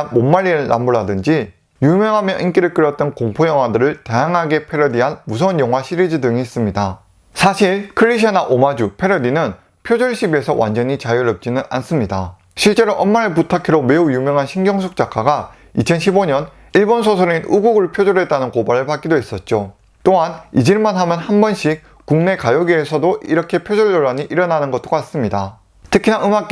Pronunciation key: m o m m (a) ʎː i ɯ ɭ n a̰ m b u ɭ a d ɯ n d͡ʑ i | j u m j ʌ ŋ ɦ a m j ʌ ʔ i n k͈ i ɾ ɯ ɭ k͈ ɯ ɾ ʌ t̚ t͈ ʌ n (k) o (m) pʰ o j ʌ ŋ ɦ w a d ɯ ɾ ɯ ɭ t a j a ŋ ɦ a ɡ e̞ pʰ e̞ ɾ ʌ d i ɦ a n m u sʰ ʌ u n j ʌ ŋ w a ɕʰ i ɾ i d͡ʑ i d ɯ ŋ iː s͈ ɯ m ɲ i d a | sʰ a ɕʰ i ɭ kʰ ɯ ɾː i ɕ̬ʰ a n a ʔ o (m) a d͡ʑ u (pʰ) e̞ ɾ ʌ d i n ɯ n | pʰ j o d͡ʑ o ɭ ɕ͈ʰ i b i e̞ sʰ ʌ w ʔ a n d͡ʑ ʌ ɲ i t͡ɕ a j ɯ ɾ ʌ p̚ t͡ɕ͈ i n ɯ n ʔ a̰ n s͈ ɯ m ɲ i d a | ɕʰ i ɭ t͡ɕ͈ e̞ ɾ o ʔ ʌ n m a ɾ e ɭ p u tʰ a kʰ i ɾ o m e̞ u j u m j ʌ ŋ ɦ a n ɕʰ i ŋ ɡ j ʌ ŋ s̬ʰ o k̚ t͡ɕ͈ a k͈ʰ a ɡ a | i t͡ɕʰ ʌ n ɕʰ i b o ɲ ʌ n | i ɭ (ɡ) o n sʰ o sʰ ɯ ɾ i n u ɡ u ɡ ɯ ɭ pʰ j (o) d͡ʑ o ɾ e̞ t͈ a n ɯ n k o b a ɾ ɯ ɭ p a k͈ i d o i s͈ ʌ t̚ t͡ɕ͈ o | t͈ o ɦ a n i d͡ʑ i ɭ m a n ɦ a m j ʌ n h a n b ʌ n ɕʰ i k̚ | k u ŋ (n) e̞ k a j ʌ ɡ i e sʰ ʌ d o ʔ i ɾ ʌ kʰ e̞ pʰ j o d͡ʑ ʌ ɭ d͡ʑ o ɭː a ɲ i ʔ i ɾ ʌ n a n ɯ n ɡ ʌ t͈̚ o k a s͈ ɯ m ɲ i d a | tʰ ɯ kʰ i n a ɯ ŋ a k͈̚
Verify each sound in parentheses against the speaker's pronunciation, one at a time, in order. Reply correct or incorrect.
correct, correct, incorrect, correct, correct, incorrect, correct, correct

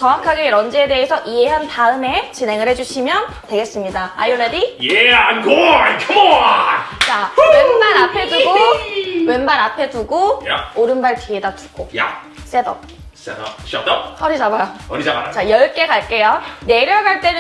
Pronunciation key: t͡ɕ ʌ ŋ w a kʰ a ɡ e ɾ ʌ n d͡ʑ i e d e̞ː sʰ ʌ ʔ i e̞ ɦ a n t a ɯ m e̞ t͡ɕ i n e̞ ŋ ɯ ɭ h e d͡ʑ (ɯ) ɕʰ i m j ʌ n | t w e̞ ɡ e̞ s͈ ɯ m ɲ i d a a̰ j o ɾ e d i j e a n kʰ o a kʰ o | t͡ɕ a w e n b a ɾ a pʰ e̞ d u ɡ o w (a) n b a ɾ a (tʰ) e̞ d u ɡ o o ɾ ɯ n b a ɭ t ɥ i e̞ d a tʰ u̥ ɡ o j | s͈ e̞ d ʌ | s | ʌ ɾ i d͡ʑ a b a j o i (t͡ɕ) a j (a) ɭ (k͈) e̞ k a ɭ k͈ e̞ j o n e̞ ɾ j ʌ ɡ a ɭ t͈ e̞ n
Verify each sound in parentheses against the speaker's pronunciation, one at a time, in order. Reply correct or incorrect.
incorrect, incorrect, incorrect, correct, incorrect, correct

